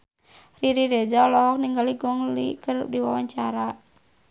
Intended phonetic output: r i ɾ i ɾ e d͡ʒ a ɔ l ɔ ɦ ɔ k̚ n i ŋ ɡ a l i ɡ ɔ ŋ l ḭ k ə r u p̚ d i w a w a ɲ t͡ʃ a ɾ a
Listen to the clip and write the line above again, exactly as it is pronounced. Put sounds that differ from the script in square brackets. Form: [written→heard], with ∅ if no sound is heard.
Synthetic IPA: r i ɾ i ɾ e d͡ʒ a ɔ l ɔ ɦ ɔ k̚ n i ŋ ɡ a l i ɡ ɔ ŋ l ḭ k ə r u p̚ d i w a w a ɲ t͡ʃ a ɾ a